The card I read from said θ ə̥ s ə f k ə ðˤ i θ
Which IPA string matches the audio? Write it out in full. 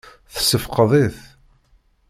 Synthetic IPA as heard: θ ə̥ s ə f q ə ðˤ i θ